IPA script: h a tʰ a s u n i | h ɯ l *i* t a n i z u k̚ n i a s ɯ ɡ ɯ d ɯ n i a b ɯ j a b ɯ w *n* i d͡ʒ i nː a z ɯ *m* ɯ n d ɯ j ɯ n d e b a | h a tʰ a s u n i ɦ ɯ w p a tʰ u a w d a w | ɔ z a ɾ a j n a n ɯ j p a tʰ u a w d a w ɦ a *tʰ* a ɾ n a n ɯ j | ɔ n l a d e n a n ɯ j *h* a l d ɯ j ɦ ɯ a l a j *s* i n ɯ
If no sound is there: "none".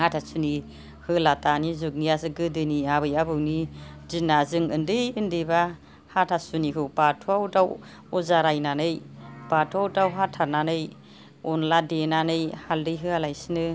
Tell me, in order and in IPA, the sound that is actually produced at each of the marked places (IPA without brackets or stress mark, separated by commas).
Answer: a, n, ŋ, tʰ, h, s